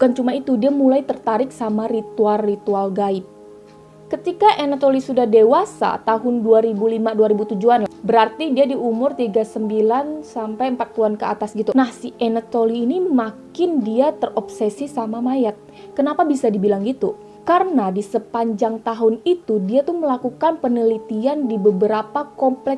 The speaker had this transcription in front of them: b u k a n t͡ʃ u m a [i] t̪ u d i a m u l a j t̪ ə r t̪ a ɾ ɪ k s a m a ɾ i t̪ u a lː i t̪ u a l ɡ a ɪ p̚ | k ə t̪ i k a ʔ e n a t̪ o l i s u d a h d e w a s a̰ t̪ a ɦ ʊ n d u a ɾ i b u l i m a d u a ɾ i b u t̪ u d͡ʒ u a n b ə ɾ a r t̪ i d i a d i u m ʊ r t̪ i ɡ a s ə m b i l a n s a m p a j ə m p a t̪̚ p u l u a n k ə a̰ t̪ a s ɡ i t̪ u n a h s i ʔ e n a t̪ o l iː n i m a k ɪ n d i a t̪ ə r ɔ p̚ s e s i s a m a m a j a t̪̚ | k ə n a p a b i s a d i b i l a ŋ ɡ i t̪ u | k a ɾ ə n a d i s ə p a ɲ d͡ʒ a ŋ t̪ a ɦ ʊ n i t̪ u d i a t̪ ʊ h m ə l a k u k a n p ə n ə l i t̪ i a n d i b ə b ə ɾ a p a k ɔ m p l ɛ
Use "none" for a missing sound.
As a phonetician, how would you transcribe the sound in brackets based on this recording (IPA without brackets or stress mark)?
i